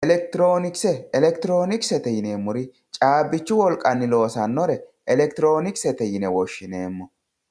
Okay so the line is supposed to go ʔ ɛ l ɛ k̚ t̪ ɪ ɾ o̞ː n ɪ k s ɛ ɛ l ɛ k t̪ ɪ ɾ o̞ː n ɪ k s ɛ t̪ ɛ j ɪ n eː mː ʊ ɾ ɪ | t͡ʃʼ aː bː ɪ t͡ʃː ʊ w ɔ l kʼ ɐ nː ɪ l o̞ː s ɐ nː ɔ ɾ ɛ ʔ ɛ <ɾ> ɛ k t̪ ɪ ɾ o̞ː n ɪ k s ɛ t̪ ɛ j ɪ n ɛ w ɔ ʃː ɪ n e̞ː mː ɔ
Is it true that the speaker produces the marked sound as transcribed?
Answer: no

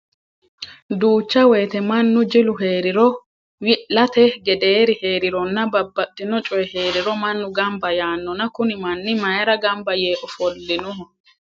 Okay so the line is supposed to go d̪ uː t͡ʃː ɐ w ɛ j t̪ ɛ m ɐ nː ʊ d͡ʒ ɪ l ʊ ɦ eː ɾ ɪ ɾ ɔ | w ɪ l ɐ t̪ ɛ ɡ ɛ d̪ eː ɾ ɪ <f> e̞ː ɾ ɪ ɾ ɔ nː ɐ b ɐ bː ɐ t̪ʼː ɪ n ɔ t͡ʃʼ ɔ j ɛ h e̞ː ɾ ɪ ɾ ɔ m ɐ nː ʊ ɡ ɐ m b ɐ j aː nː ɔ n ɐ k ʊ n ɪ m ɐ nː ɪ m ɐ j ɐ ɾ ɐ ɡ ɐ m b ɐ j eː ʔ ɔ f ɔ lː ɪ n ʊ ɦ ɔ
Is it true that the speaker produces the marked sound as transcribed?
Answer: no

